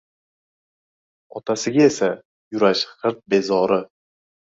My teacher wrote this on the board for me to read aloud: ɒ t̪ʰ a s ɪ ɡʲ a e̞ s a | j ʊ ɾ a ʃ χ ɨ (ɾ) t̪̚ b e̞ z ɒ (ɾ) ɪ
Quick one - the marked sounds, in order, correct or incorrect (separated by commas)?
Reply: correct, correct